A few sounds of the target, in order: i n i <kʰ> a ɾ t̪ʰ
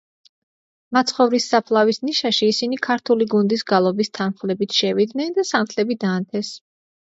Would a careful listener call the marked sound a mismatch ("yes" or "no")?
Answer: no